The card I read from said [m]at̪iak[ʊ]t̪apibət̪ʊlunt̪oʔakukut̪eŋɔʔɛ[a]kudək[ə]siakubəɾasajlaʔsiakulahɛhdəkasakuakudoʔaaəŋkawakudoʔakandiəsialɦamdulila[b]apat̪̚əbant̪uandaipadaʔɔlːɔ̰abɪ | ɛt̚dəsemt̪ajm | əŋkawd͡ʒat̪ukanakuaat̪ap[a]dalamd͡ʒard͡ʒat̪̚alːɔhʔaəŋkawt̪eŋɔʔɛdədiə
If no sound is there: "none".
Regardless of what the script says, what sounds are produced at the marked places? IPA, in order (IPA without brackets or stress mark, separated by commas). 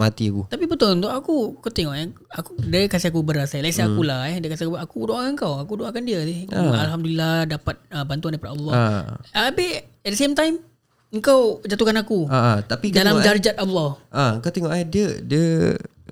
m, u, a, a, d, i